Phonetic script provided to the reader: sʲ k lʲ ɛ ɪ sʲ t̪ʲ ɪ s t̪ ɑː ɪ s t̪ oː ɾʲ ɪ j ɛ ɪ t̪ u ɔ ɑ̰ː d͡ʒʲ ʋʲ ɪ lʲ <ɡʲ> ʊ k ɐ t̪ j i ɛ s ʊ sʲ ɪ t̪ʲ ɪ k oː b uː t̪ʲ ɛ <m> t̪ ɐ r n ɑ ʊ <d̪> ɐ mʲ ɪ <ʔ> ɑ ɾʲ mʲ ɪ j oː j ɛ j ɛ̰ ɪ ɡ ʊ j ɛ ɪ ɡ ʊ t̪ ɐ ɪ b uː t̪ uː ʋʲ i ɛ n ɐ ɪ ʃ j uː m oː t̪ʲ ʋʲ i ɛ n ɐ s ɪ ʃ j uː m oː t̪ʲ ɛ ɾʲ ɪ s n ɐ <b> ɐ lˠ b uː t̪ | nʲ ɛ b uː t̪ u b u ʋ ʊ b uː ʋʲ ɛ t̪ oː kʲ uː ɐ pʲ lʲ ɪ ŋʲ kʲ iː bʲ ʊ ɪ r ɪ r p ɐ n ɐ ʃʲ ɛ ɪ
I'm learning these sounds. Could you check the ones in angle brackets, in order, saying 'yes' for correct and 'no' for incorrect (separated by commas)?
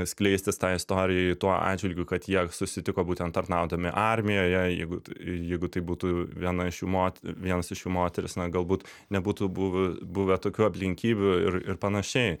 yes, no, yes, yes, no